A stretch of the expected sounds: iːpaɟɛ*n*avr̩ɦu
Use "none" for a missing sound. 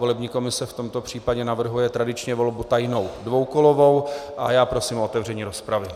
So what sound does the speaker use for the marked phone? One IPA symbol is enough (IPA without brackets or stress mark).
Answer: n